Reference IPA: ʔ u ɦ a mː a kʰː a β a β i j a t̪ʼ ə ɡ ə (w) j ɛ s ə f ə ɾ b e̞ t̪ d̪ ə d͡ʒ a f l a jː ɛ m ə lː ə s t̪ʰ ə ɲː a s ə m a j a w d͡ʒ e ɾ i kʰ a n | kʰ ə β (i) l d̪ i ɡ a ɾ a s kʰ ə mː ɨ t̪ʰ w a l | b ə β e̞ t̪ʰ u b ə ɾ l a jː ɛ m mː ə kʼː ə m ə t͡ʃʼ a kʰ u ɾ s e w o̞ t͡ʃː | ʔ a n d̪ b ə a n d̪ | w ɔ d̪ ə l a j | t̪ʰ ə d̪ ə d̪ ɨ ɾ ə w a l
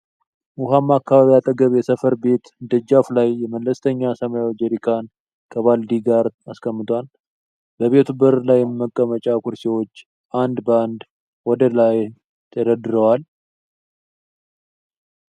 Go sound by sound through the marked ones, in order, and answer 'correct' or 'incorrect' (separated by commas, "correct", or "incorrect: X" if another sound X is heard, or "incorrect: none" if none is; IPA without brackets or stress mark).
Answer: incorrect: β, incorrect: a